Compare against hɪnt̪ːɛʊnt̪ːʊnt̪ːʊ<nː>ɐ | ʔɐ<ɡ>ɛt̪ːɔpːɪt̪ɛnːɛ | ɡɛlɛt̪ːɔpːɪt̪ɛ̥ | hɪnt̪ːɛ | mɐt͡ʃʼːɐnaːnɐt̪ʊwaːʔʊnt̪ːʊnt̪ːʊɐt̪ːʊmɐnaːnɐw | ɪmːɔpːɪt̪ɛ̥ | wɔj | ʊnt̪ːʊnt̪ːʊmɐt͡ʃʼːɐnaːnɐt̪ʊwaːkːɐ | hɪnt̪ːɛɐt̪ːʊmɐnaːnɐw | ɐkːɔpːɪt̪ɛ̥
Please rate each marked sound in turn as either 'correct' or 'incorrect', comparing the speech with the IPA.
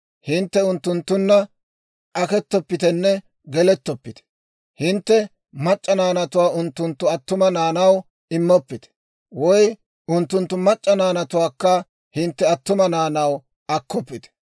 correct, incorrect

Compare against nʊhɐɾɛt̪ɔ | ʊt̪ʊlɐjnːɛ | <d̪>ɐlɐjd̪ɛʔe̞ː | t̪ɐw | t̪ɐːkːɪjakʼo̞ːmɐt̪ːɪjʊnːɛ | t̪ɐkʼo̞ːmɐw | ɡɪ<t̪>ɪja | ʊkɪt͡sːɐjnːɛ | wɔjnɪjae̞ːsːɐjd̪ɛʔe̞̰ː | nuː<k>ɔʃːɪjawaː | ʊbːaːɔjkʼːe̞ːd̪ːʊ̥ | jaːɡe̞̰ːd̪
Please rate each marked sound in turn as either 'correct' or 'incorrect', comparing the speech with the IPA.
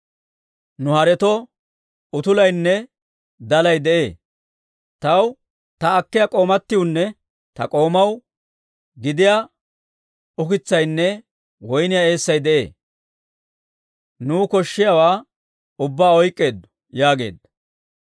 correct, incorrect, correct

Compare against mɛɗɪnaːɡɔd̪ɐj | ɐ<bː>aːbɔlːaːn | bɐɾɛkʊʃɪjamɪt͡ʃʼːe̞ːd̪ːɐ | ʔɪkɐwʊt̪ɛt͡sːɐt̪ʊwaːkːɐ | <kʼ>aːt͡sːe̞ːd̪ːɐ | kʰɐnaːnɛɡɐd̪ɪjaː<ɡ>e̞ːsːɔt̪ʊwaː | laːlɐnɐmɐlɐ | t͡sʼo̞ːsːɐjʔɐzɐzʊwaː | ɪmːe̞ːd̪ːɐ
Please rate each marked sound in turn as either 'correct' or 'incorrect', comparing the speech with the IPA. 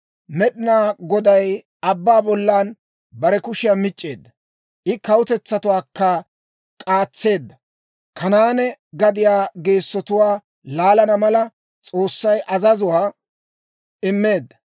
correct, correct, correct

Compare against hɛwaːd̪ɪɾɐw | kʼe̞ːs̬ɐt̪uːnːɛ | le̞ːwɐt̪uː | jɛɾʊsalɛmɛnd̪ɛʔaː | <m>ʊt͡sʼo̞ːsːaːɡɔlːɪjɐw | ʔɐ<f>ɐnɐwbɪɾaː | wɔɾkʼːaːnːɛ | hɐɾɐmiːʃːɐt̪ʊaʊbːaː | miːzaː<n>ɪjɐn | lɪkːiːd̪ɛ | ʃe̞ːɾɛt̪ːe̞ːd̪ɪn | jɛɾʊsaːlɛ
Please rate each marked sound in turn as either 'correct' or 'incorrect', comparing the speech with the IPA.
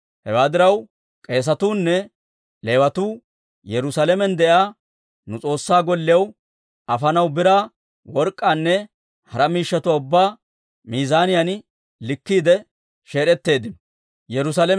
incorrect, correct, correct

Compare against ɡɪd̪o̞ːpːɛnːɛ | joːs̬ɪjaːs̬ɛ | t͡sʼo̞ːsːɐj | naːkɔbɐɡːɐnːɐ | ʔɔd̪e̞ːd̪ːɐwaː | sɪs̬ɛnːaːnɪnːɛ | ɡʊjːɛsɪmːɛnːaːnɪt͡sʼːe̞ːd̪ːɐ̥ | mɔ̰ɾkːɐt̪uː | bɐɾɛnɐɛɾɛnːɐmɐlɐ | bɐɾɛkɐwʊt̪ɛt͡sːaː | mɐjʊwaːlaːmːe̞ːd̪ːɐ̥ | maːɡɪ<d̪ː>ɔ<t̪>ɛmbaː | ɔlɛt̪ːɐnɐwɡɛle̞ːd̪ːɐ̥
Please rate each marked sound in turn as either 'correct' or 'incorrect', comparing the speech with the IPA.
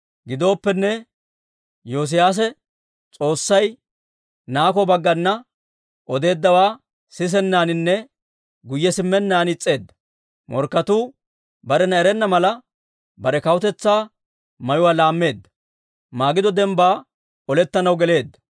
incorrect, incorrect

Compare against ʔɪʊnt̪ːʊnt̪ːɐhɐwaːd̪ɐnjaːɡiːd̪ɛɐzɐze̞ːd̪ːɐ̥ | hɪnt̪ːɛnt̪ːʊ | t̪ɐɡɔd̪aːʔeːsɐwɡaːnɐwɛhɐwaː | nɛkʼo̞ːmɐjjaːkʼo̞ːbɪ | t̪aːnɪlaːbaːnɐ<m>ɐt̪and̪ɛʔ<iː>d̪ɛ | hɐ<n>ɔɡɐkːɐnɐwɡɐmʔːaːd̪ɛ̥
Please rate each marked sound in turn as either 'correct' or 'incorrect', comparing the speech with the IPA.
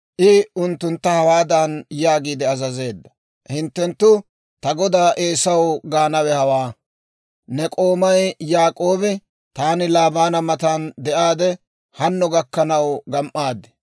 correct, incorrect, incorrect

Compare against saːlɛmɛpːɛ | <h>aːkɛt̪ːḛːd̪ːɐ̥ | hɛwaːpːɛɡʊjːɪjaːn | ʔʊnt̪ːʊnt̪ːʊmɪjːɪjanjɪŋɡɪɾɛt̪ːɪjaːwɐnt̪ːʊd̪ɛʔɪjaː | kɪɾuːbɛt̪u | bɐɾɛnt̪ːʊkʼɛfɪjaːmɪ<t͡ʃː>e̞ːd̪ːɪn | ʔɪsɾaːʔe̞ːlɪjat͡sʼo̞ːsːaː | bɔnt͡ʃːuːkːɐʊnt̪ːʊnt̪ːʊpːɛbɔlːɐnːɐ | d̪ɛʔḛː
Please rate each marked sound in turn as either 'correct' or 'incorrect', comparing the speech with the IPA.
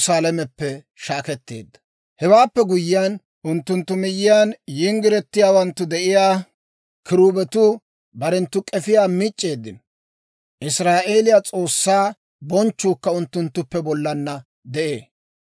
incorrect, incorrect

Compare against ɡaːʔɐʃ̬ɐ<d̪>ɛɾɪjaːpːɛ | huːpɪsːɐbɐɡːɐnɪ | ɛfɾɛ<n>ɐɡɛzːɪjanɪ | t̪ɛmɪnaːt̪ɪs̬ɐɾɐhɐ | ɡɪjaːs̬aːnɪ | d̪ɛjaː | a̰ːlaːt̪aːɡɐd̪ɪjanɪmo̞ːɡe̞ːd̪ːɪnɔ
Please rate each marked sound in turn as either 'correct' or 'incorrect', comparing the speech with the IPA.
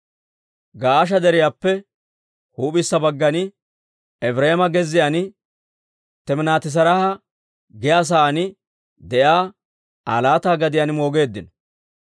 correct, incorrect

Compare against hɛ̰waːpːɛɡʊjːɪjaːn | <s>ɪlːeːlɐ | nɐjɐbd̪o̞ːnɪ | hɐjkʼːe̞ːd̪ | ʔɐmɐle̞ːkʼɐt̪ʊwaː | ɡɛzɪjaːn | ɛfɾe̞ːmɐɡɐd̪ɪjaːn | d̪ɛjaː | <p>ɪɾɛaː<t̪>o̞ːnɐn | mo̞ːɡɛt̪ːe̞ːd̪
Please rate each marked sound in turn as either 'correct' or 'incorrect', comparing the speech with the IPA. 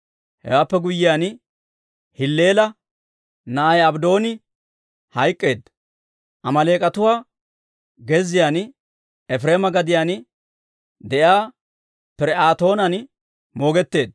incorrect, correct, correct

